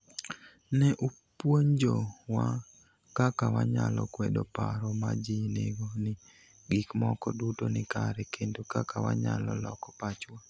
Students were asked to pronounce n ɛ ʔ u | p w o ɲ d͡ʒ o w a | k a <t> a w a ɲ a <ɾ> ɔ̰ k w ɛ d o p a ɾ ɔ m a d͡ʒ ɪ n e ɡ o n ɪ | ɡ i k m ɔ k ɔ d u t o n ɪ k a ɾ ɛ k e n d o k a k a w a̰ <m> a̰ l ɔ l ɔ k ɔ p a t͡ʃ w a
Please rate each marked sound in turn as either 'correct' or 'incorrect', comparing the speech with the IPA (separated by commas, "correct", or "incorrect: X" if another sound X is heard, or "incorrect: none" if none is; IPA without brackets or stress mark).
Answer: incorrect: k, incorrect: l, incorrect: ɲ